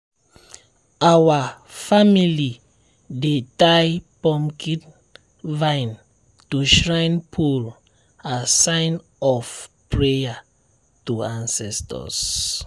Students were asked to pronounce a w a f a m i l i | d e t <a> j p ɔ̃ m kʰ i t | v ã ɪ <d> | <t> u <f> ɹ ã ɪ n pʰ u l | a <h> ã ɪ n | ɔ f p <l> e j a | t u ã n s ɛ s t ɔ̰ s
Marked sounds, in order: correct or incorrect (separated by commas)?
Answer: correct, incorrect, correct, incorrect, incorrect, incorrect